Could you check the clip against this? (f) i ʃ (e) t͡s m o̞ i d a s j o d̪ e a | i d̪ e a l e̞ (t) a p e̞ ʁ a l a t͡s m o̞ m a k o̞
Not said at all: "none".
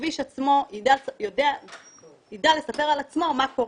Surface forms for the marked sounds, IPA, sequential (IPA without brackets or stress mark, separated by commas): v, a, s